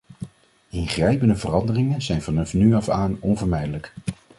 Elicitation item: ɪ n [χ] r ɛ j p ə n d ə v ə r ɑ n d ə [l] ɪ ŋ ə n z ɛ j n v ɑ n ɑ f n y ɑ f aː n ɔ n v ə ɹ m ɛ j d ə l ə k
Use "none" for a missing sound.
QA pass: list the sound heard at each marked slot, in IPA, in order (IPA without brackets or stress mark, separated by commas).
χ, r